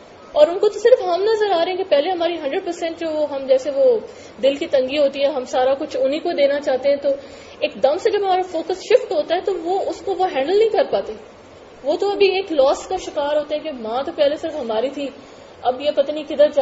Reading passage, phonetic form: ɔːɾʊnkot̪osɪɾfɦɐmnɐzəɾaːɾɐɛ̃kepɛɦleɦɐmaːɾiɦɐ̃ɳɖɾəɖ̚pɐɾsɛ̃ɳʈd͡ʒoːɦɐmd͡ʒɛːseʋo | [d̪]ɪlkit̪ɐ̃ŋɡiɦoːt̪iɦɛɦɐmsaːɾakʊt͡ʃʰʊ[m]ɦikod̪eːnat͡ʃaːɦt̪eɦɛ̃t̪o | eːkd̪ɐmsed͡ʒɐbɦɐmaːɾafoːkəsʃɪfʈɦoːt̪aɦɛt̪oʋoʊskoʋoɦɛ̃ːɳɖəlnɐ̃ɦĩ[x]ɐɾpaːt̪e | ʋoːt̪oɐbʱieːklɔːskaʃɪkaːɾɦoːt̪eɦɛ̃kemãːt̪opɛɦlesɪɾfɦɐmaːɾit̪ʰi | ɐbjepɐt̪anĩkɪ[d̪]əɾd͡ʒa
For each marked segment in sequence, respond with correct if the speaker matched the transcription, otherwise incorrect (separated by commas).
correct, incorrect, incorrect, correct